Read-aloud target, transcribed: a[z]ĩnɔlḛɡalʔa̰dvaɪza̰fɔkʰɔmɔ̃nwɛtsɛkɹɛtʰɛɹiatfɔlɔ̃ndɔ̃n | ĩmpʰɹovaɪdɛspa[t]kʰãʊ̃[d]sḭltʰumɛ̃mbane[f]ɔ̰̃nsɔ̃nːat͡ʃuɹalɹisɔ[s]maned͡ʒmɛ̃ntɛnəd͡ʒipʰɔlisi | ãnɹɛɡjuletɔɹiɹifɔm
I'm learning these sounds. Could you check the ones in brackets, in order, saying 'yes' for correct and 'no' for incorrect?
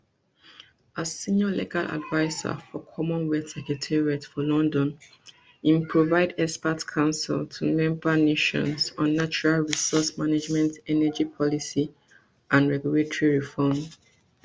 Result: no, yes, no, no, yes

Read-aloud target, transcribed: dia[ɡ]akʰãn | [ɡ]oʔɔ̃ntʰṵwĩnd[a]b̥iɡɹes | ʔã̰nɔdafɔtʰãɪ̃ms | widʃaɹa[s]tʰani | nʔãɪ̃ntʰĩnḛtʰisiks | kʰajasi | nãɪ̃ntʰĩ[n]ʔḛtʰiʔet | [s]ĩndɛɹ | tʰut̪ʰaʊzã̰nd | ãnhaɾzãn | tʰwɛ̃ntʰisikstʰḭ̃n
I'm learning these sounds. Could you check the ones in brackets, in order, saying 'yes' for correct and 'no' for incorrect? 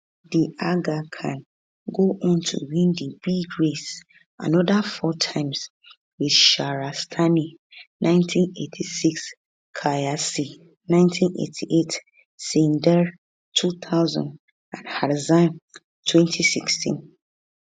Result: yes, yes, no, yes, yes, yes

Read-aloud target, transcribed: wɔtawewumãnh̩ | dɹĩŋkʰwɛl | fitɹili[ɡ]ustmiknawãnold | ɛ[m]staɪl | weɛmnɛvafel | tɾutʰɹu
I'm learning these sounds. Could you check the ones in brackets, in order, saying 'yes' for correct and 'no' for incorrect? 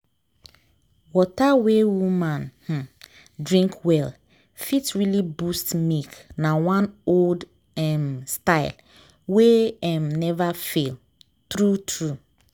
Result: no, yes

